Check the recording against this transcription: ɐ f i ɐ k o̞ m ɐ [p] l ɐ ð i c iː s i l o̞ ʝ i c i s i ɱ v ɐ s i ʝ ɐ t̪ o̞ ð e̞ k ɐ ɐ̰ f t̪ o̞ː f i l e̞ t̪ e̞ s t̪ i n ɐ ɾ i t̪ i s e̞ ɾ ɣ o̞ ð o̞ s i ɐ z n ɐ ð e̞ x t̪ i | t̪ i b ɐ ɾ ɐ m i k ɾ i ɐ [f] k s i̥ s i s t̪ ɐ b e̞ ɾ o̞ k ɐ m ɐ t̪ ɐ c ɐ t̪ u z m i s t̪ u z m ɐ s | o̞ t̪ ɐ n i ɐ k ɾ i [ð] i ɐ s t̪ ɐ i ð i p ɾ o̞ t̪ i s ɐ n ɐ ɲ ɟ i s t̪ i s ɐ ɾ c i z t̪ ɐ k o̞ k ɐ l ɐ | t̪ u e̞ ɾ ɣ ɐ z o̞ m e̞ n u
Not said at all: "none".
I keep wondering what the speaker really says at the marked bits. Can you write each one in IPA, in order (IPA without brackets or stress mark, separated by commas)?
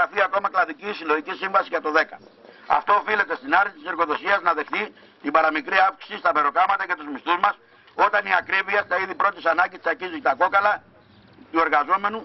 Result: k, f, v